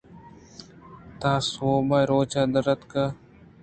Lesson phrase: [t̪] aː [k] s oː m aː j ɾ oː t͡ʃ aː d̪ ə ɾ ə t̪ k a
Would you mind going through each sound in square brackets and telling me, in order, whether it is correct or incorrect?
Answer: correct, incorrect

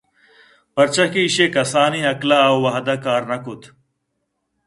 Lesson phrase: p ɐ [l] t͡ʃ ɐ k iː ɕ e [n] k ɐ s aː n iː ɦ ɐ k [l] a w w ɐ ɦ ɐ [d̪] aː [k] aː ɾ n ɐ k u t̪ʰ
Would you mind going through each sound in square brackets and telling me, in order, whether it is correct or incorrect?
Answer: incorrect, incorrect, correct, correct, correct

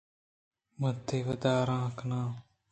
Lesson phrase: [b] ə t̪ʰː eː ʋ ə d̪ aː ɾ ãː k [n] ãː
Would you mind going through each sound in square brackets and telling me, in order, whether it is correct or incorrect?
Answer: incorrect, correct

